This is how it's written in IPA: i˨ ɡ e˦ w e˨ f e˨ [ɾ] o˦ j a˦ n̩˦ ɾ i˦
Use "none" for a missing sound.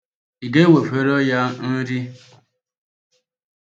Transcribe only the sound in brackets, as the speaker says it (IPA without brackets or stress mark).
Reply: ɾ